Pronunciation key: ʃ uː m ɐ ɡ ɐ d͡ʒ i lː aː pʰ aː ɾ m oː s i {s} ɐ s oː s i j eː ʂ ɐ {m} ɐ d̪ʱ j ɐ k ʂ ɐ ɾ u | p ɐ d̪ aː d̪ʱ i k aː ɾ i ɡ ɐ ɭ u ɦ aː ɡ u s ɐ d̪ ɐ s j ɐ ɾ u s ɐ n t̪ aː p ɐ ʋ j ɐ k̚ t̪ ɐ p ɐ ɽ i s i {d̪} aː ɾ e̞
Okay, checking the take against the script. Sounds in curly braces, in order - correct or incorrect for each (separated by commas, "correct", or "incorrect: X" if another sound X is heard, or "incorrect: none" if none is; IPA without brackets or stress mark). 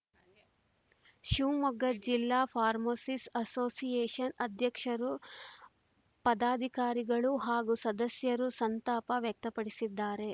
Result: correct, incorrect: n, incorrect: d̪ː